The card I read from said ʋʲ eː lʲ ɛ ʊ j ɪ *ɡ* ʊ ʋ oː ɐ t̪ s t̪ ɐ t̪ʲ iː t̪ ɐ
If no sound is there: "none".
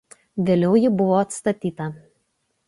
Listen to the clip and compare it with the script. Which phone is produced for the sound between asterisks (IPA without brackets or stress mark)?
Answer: b